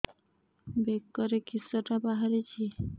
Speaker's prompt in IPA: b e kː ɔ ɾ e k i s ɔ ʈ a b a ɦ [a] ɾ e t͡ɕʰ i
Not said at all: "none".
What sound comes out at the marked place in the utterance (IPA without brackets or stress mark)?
a